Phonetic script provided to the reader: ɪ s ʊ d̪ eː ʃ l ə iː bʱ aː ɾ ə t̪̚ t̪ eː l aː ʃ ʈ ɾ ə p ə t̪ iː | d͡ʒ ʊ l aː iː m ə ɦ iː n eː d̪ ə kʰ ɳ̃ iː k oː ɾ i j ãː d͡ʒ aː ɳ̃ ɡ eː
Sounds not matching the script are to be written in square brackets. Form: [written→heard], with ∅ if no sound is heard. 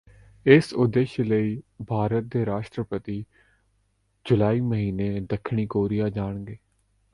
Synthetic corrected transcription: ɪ s ʊ d̪ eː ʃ l ə iː bʱ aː ɾ ə t̪̚ [t̪→d̪] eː [l→ɾ] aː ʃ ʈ ɾ ə p ə t̪ iː | d͡ʒ ʊ l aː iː m ə ɦ iː n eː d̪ ə kʰ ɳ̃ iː k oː ɾ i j [ãː→aː] d͡ʒ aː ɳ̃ ɡ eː